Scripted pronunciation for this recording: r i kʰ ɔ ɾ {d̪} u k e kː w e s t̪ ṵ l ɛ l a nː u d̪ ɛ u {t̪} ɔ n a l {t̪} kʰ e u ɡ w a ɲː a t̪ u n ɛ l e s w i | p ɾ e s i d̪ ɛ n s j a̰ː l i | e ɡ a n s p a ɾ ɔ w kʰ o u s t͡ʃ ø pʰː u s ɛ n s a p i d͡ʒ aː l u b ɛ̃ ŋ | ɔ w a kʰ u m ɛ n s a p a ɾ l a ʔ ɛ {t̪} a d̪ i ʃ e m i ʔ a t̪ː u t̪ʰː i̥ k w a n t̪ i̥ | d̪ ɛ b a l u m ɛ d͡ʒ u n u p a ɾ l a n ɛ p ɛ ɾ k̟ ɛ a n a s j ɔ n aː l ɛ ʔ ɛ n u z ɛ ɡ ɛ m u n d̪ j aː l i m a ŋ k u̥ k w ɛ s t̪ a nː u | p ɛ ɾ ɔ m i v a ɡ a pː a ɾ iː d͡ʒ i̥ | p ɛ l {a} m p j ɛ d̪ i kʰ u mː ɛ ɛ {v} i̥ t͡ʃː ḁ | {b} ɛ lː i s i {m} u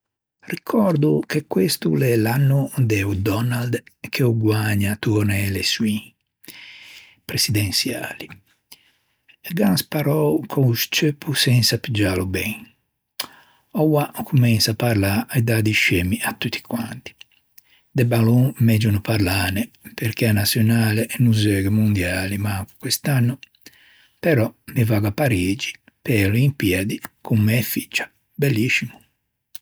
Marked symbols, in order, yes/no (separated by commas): yes, no, no, no, no, no, yes, yes